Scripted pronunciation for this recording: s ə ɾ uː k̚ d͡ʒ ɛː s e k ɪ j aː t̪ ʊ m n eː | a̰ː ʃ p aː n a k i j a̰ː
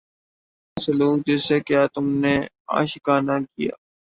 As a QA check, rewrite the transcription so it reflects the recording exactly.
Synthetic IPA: s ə l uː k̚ d͡ʒ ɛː s e k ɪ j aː t̪ ʊ m n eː | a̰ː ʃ k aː n a k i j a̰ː